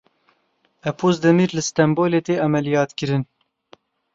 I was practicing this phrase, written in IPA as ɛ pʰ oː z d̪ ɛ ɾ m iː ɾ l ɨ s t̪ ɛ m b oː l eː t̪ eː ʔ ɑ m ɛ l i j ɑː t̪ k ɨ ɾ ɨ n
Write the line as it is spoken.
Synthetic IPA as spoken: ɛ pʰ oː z d̪ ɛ m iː ɾ l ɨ s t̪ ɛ m b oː l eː t̪ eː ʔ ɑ m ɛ l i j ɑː t̪ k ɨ ɾ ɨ n